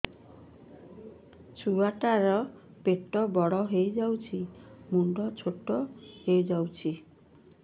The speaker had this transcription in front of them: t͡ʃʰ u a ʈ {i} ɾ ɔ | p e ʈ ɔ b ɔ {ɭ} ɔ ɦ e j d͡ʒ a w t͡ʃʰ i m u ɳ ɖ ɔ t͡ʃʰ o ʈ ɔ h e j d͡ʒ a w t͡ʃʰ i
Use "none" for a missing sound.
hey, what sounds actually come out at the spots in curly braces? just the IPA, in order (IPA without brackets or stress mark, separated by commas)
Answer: a, ɽ